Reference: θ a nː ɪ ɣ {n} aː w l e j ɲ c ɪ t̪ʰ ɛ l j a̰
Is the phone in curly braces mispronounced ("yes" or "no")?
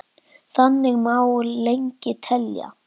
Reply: yes